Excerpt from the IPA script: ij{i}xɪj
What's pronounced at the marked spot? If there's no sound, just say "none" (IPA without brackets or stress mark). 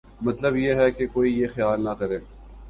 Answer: e